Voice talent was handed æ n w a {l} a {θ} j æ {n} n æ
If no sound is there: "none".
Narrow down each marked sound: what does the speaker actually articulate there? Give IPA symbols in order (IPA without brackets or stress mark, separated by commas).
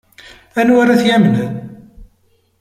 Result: ɾ, θ, m